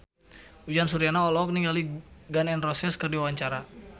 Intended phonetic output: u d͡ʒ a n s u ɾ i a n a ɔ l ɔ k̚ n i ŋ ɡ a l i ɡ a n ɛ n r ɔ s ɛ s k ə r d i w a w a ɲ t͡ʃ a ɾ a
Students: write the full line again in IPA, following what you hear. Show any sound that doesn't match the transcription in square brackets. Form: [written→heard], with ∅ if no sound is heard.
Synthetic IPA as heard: u d͡ʒ a n s u ɾ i a n a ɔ l ɔ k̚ n i ŋ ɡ a l i ɡ a n ɛ n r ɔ s ɛ s k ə r d i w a w a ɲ t͡ʃ a ɾ a

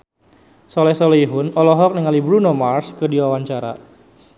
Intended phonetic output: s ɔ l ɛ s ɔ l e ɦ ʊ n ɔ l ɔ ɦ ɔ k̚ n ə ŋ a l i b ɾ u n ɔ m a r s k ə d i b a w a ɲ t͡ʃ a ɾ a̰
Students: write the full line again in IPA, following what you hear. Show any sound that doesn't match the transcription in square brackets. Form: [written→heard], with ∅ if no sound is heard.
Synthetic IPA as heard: s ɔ l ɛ s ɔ l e ɦ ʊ n ɔ l ɔ ɦ ɔ k̚ n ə ŋ a l i b ɾ u n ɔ m a r s k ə d i [b→w] a w a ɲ t͡ʃ a ɾ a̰

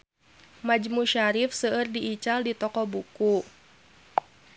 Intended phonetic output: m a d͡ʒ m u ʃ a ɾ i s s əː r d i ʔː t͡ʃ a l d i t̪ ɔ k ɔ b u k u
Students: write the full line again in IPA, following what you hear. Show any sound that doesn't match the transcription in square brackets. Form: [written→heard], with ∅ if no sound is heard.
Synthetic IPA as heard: m a d͡ʒ m u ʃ a ɾ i [s→f] s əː r d i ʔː t͡ʃ a l d i t̪ ɔ k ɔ b u k u

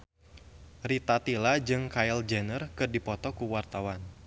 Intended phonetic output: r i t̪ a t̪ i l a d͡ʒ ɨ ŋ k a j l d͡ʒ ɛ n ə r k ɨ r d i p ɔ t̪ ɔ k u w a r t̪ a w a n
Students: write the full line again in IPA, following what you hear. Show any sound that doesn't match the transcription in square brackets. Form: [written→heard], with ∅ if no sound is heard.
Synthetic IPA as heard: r i t̪ a t̪ i l a d͡ʒ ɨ ŋ k a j l d͡ʒ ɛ n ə r k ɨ r d i p ɔ t̪ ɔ k u w a r t̪ a w a n

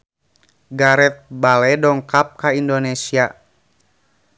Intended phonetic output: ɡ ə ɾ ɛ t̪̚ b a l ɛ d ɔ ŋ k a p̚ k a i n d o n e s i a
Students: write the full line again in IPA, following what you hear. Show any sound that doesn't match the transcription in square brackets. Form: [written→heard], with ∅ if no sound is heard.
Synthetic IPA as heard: ɡ [ə→a] ɾ ɛ t̪̚ b a l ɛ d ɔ ŋ k a p̚ k a i n d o n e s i a

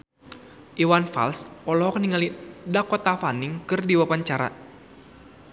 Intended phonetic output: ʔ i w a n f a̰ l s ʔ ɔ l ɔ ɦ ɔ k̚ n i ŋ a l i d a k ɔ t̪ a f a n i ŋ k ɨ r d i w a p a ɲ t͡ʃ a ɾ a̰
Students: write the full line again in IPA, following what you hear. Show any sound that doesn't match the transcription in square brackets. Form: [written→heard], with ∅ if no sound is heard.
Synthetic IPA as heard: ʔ i w a n f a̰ l s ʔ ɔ l ɔ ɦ ɔ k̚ n i ŋ a l i d a k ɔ t̪ a f a n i ŋ k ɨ r d i w a p a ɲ t͡ʃ a ɾ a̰

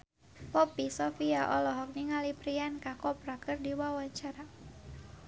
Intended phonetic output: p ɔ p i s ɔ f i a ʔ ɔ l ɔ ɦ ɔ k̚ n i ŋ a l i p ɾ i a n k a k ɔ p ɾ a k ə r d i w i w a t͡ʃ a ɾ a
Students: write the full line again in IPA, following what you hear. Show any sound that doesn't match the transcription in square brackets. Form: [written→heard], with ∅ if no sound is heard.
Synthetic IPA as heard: p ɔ p i s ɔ f i a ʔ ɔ l ɔ ɦ ɔ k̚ n i ŋ a l i p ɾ i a n k a k ɔ p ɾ a k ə r d i w [i→a] w a t͡ʃ a ɾ a

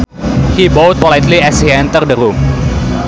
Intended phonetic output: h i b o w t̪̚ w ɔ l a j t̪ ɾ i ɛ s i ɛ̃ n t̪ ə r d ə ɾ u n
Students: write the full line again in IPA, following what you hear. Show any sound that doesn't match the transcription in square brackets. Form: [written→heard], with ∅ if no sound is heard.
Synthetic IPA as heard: h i b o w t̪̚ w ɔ l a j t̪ [ɾ→l] i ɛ s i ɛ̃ n t̪ ə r d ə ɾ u [n→m]

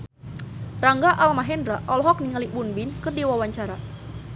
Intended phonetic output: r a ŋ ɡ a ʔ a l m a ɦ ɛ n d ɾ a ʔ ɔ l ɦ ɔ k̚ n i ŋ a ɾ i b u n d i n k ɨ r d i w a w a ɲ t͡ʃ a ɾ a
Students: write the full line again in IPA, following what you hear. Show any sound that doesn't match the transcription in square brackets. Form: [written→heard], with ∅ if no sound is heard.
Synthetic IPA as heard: r a ŋ ɡ a ʔ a l m a ɦ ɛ n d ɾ a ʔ ɔ l ɦ ɔ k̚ n i ŋ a [ɾ→l] i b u n [d→b] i n k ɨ r d i w a w a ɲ t͡ʃ a ɾ a

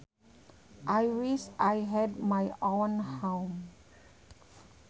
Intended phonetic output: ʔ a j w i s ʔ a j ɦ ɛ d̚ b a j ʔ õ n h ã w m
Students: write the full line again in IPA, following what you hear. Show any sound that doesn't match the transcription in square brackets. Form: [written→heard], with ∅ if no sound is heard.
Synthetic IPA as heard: ʔ a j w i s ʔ a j ɦ ɛ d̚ [b→m] a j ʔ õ n h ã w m

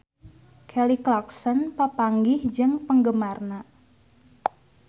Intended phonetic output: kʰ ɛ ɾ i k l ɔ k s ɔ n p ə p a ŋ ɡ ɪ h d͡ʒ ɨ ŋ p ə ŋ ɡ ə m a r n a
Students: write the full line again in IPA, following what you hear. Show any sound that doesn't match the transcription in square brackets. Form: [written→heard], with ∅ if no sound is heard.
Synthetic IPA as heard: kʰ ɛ [ɾ→l] i k l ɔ k s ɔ n p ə p a ŋ ɡ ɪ h d͡ʒ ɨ ŋ p ə ŋ ɡ ə m a r n a

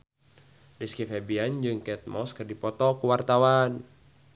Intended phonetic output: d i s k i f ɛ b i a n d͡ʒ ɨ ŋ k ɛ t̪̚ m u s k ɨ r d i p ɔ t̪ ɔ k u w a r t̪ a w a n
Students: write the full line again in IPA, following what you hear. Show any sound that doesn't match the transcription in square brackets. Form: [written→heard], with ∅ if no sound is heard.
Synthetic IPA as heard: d i s k i f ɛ b i a n d͡ʒ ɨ ŋ k ɛ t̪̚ m [u→ɔ] s k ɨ r d i p ɔ t̪ ɔ k u w a r t̪ a w a n

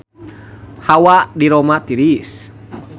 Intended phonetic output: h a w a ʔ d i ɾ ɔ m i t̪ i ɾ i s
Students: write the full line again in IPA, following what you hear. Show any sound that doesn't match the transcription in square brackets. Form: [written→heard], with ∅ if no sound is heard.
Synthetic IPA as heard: h a w a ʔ d i ɾ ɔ m [i→a] t̪ i ɾ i s

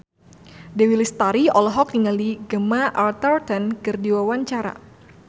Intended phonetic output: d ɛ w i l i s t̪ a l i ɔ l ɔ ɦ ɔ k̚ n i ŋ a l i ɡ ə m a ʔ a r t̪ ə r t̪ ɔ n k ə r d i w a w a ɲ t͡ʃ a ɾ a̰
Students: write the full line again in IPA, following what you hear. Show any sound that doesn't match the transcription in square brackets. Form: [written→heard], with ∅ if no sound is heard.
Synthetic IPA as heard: d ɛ w i l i s t̪ a [l→ɾ] i ɔ l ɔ ɦ ɔ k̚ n i ŋ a l i ɡ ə m a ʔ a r t̪ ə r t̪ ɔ n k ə r d i w a w a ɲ t͡ʃ a ɾ a̰

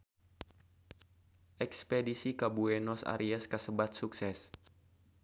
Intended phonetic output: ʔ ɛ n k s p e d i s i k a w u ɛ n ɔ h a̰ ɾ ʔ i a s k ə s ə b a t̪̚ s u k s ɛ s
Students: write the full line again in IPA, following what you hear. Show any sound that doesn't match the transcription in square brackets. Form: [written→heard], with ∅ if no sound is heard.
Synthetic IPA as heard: ʔ ɛ [n→∅] k s p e d i s i k a [w→b] u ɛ n ɔ [h→s] a̰ ɾ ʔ i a s k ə s ə b a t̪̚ s u k s ɛ s

